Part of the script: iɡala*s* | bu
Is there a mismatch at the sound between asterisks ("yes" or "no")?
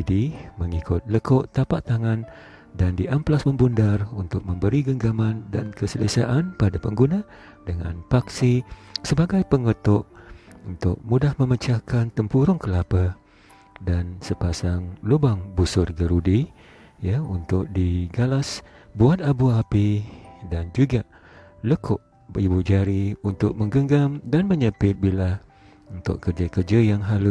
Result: no